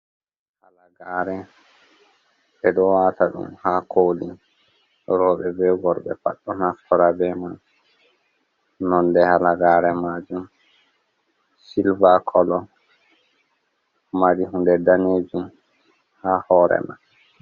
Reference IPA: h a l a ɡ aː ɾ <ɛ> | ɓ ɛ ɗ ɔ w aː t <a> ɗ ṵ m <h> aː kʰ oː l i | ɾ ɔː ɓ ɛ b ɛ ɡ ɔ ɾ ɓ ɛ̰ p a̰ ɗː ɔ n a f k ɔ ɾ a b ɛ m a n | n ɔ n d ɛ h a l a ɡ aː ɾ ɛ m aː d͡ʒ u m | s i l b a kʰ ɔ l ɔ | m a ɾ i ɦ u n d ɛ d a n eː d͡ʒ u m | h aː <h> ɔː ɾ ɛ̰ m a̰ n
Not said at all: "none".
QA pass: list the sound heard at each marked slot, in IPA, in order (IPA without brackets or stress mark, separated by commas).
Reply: ɛ, a, h, h